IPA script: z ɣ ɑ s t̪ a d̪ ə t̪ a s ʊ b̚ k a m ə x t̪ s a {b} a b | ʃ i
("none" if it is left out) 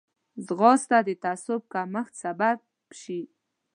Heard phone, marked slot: b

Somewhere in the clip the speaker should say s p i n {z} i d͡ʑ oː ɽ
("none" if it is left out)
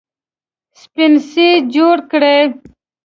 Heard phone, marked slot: s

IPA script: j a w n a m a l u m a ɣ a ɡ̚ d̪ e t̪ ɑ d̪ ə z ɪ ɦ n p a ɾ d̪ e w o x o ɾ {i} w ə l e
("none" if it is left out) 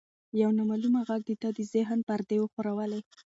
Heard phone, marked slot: a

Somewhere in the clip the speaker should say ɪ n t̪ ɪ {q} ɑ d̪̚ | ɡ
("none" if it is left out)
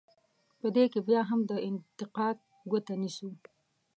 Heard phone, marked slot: q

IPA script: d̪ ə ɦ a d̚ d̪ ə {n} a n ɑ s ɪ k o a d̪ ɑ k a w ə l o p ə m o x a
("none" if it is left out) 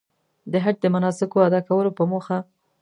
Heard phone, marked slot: m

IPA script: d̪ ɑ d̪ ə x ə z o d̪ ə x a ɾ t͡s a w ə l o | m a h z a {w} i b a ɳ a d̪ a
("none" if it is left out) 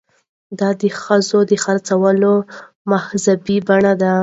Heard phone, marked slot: b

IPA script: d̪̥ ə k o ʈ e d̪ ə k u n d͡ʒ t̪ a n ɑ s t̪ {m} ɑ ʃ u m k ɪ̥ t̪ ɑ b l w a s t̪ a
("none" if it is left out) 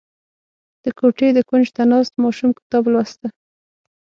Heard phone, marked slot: m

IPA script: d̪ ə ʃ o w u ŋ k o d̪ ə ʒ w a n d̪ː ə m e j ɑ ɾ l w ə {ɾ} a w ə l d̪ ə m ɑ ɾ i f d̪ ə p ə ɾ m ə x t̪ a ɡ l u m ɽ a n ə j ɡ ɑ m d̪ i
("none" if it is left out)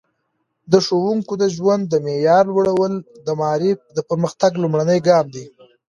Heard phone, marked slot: ɽ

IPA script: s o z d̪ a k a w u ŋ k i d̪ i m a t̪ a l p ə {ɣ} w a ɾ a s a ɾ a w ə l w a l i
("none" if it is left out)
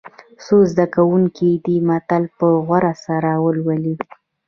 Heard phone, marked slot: ɣ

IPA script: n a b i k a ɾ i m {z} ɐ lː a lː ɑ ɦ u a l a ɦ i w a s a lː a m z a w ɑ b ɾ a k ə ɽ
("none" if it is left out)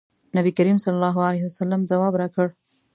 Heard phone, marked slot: s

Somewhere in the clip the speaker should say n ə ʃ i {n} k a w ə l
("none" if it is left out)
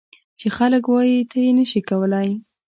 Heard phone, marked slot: none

